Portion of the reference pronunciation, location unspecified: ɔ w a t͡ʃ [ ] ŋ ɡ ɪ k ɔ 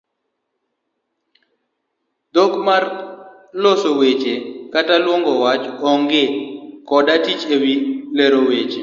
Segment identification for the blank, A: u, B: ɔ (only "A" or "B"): B